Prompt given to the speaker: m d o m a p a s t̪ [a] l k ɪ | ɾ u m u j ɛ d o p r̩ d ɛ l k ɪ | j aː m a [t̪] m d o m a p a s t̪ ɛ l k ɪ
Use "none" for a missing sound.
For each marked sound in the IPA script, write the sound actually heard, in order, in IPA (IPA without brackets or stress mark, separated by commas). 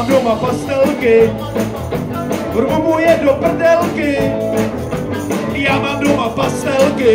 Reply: ɛ, none